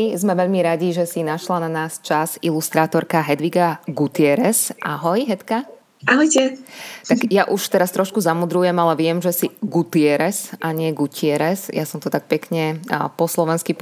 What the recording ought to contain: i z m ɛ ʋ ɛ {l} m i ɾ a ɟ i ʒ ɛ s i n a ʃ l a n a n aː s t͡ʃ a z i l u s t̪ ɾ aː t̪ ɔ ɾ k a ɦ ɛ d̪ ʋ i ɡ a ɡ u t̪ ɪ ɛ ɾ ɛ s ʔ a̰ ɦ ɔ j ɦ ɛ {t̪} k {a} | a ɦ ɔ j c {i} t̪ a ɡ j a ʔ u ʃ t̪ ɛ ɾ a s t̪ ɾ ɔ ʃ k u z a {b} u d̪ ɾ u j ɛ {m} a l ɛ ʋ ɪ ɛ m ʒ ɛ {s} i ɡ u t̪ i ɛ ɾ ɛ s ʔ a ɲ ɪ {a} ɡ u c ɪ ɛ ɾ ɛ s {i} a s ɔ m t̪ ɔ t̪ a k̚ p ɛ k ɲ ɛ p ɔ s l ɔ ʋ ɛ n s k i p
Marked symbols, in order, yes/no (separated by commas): no, yes, yes, no, no, yes, yes, no, no